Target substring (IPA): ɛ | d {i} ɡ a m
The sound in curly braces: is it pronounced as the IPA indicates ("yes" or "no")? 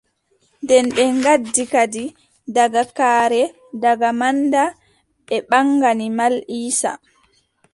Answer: no